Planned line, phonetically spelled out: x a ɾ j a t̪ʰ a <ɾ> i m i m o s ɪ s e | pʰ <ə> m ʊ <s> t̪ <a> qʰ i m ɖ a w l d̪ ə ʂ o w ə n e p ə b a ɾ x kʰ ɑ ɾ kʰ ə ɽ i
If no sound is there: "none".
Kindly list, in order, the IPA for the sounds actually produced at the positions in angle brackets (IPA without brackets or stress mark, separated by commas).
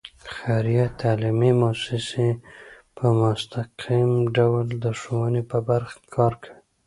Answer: l, ə, s, a